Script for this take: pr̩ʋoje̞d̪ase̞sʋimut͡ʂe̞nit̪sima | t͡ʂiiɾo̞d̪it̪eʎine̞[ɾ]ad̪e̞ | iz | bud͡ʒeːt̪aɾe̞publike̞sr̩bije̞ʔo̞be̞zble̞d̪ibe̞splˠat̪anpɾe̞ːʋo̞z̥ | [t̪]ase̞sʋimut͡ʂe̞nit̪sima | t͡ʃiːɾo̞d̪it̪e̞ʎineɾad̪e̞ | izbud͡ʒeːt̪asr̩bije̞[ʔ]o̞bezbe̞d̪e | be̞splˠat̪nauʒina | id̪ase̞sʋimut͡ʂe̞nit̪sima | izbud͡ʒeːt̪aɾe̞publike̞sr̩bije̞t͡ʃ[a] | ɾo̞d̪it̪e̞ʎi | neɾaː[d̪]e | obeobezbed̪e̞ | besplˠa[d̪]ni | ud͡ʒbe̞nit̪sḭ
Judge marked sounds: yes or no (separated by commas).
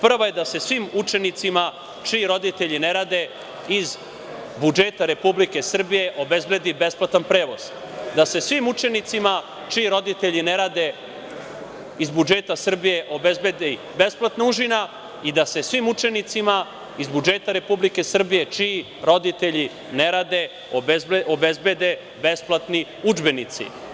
yes, no, yes, no, yes, no